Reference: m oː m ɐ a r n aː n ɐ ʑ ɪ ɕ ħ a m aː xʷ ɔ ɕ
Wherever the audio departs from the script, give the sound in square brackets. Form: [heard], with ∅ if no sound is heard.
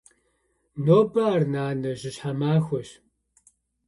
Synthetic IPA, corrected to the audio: [n] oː [b] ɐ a r n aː n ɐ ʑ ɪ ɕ ħ a m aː xʷ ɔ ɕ